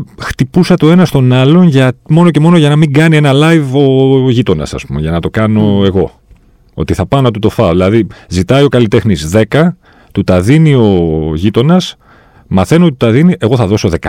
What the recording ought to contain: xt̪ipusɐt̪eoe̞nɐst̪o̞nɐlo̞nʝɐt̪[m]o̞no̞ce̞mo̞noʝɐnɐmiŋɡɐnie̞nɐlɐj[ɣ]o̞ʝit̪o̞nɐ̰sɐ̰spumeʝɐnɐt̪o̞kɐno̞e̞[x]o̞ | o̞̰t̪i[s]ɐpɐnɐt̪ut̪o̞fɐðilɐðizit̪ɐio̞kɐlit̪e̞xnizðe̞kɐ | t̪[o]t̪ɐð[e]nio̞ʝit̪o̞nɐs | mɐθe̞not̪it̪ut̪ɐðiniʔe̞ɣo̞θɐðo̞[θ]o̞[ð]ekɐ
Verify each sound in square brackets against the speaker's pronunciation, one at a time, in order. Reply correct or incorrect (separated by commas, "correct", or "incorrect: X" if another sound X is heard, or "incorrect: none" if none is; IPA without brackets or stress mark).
correct, incorrect: v, incorrect: ɣ, incorrect: θ, incorrect: u, incorrect: i, incorrect: s, correct